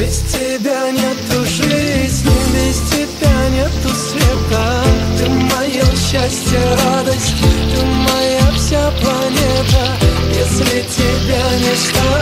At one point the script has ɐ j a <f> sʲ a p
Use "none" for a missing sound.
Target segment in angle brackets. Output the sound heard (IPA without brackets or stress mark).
f